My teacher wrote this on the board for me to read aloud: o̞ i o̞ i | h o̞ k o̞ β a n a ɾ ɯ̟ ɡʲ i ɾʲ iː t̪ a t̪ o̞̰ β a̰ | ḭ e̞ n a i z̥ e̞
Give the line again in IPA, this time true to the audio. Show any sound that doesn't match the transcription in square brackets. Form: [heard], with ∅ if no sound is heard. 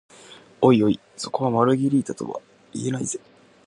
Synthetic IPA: o̞ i o̞ i | [s] o̞ k o̞ β a [m] a ɾ ɯ̟ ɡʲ i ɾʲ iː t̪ a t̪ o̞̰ β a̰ | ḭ e̞ n a i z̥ e̞